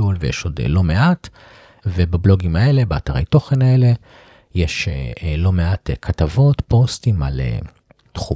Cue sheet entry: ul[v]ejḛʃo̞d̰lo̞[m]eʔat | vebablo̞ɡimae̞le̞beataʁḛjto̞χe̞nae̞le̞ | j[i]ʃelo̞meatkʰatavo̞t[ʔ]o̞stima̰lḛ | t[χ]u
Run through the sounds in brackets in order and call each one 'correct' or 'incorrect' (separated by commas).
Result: correct, correct, incorrect, incorrect, correct